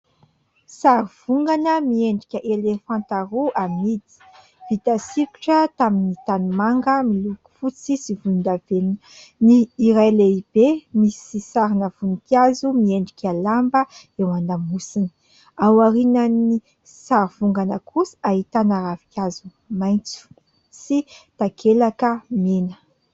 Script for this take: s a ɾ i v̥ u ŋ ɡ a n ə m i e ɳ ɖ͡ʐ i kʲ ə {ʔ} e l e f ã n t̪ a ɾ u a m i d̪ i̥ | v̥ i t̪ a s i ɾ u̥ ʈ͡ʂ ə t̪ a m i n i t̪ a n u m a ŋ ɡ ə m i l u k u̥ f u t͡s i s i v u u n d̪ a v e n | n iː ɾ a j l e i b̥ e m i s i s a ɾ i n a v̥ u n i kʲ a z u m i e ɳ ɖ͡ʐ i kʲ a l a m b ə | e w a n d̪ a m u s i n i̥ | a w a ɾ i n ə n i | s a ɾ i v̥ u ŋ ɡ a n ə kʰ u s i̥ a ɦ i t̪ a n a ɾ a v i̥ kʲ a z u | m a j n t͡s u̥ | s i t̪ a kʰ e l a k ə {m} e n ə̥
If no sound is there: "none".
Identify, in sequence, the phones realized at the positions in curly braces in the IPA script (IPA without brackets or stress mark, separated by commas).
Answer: ʔ, m